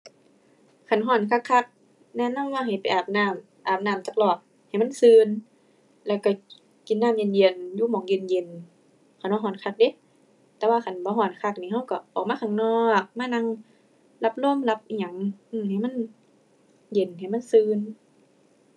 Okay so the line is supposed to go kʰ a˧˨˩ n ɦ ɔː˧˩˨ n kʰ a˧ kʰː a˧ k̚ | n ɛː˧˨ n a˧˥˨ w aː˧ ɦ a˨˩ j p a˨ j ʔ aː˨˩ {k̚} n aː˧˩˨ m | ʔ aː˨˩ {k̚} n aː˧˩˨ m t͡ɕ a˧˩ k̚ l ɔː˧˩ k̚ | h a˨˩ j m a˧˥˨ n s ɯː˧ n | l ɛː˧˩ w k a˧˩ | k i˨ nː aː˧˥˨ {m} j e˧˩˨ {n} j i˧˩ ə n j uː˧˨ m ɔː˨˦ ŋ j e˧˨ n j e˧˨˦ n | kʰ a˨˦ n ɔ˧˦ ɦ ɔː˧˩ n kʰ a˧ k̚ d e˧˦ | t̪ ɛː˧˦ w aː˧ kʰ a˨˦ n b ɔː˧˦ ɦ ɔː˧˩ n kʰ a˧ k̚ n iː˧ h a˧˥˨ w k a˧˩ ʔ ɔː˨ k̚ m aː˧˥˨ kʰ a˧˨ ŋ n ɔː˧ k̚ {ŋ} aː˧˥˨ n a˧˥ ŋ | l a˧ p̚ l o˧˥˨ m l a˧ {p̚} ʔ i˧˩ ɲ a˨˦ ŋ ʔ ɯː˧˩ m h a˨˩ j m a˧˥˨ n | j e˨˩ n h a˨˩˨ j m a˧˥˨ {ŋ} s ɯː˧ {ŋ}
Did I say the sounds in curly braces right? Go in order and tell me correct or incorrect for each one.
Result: incorrect: p̚, incorrect: p̚, correct, correct, incorrect: m, correct, incorrect: n, incorrect: n

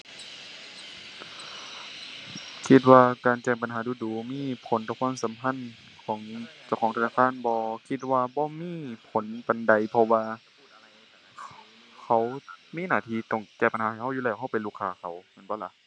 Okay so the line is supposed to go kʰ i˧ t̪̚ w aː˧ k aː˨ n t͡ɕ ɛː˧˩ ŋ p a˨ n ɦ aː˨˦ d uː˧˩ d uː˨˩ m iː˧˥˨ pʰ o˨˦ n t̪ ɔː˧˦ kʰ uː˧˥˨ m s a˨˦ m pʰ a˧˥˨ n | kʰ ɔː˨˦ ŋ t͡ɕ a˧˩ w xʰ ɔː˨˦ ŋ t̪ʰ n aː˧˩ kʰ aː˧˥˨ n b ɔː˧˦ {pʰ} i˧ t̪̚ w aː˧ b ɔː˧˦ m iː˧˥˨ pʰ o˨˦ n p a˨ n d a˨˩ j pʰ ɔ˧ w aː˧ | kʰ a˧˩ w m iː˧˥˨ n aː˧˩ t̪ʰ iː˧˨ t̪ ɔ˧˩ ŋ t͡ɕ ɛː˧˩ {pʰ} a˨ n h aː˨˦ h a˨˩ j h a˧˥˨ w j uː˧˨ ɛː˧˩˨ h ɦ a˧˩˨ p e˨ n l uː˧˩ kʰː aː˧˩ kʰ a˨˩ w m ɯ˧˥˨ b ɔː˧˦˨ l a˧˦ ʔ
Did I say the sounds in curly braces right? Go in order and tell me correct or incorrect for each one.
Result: incorrect: kʰ, incorrect: p

